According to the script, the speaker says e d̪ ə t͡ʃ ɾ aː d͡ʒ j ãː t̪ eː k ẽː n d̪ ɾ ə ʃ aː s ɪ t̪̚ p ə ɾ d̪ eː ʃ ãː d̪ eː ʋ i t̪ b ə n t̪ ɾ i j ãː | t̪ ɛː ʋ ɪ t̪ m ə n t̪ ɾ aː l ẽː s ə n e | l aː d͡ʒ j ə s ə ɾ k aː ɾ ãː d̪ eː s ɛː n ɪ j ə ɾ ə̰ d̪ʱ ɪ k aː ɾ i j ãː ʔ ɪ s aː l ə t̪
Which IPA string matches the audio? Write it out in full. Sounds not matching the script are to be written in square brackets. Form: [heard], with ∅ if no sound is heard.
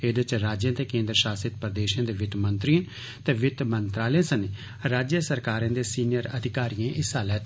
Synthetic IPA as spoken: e d̪ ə t͡ʃ ɾ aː d͡ʒ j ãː t̪ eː k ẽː n d̪ ɾ ə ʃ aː s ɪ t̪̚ p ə ɾ d̪ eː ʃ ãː d̪ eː ʋ [ɪ] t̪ [m] ə n t̪ ɾ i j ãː | t̪ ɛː ʋ ɪ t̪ m ə n t̪ ɾ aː l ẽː s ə n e | [ɾ] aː d͡ʒ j ə s ə ɾ k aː ɾ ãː d̪ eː s [iː] n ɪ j ə ɾ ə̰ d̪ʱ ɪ k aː ɾ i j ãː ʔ ɪ s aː l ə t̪